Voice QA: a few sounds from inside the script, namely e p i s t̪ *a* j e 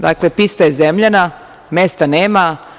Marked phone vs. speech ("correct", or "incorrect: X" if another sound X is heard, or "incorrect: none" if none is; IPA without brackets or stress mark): correct